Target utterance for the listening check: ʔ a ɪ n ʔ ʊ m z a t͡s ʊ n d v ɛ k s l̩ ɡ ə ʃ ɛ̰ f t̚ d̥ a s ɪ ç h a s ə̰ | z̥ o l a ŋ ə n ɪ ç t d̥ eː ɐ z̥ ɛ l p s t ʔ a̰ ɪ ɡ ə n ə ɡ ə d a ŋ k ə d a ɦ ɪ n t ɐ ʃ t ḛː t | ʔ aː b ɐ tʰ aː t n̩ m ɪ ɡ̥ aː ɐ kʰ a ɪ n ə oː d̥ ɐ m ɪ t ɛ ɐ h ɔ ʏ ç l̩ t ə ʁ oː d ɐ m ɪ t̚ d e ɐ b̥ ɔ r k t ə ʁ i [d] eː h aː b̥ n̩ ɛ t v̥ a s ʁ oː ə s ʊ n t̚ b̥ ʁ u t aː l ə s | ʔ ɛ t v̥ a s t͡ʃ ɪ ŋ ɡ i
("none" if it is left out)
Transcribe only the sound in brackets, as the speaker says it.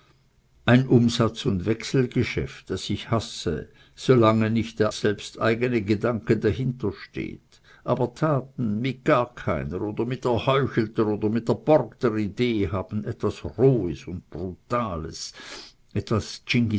d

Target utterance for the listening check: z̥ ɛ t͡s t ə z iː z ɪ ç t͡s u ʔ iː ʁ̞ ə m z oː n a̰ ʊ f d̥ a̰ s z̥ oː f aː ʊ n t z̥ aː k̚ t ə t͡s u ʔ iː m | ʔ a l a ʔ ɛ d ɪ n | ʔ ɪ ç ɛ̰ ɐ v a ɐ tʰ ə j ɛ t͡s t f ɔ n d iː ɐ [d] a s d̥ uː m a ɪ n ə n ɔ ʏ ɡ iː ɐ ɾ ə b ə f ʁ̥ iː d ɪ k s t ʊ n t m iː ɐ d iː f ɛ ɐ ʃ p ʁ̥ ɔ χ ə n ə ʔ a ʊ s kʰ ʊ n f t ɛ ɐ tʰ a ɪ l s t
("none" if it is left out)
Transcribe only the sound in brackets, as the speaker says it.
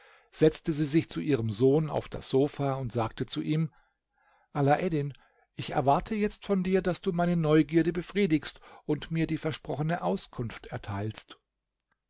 d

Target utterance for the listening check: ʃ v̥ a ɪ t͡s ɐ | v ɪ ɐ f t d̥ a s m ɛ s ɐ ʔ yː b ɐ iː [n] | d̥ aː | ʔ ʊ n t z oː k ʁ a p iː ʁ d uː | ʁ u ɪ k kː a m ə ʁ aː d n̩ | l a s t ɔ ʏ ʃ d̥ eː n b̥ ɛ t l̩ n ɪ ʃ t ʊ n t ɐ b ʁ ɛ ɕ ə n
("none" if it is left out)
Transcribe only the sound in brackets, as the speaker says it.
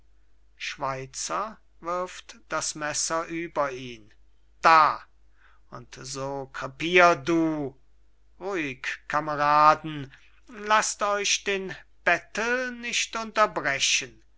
n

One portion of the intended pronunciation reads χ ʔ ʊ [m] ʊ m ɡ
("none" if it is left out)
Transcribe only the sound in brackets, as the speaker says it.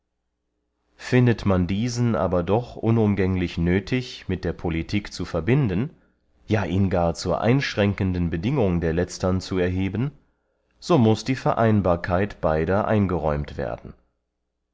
n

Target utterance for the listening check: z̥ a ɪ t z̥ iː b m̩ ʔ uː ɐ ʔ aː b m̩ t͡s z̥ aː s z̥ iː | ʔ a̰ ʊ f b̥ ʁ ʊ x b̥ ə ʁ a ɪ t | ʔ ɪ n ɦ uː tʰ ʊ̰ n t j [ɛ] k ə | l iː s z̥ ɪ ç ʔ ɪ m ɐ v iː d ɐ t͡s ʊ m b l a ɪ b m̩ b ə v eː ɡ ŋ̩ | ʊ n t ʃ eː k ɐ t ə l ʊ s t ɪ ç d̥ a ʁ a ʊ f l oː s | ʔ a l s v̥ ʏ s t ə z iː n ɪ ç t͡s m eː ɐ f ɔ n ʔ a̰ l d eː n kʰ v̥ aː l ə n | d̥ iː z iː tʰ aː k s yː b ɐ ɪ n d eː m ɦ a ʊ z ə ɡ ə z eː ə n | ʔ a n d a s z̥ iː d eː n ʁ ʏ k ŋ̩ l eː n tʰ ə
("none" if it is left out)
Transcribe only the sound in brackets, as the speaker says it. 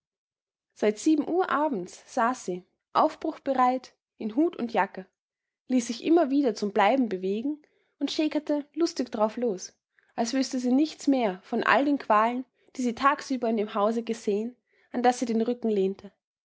a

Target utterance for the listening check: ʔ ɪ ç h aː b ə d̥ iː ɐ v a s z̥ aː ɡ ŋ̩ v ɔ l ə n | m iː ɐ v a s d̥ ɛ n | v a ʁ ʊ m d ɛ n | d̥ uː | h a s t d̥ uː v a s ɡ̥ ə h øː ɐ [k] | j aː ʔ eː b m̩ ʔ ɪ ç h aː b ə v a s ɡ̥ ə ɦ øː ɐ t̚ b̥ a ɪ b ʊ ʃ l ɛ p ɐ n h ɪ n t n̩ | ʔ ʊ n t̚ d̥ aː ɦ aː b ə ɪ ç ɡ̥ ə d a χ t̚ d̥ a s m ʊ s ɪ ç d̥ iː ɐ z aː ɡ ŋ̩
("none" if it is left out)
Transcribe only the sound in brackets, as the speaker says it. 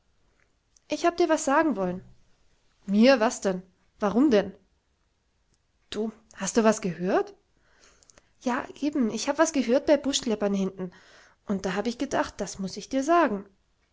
t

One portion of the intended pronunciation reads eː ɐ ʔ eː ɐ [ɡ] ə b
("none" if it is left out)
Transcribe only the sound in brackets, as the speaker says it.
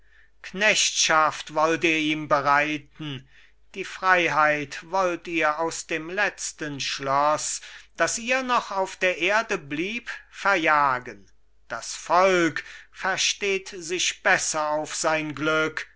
d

